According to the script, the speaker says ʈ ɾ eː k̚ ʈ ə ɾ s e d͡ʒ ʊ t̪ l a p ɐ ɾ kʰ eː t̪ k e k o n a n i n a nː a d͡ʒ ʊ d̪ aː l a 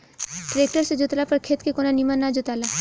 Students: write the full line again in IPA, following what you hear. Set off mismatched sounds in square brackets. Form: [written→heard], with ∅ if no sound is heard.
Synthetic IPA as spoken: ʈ ɾ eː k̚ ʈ ə ɾ s e d͡ʒ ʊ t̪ l a p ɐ ɾ kʰ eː t̪ k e k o n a n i [n→m] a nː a d͡ʒ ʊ [d̪→t̪] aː l a